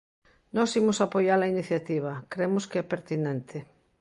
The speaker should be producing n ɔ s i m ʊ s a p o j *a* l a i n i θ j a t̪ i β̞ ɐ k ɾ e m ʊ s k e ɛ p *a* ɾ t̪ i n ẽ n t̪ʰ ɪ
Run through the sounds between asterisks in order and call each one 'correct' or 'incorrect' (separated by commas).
correct, incorrect